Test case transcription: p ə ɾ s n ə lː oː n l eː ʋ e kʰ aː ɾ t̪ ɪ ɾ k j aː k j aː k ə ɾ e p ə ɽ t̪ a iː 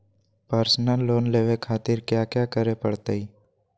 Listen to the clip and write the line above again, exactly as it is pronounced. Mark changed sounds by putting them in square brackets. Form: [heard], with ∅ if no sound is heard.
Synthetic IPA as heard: p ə ɾ s n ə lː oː n l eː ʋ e kʰ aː [∅] t̪ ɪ ɾ k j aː k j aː k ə ɾ e p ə ɽ t̪ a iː